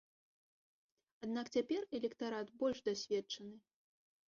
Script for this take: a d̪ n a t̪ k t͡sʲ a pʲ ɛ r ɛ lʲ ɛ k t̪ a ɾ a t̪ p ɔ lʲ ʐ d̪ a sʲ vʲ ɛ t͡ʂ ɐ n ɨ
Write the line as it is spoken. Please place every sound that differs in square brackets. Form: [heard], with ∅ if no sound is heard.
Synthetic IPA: a d̪ n a [∅] k t͡sʲ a pʲ ɛ r ɛ lʲ ɛ k t̪ a ɾ a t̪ [b] ɔ lʲ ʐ d̪ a sʲ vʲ ɛ t͡ʂ ɐ n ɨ